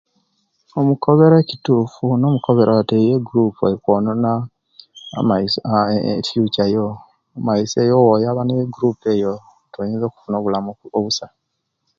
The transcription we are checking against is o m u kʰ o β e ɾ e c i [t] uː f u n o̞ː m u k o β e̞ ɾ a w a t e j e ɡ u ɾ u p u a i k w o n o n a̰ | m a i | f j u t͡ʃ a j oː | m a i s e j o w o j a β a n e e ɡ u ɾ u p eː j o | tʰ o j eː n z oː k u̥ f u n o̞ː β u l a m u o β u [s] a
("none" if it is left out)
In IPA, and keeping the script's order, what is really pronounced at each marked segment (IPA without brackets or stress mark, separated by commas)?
t, s